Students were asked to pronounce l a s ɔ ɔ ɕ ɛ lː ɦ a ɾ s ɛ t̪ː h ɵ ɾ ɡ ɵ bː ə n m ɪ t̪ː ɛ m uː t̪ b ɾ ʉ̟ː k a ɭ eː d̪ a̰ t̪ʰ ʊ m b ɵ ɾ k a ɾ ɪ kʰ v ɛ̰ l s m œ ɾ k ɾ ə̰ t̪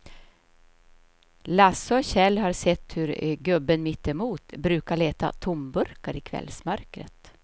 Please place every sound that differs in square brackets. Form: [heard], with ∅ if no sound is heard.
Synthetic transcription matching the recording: l a s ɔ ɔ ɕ ɛ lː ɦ a ɾ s ɛ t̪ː h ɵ ɾ ɡ ɵ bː ə n m ɪ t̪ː ɛ m uː t̪ b ɾ ʉ̟ː k a ɭ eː [t̪] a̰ t̪ʰ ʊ m b ɵ ɾ k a ɾ ɪ kʰ v ɛ̰ l s m œ ɾ k ɾ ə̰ t̪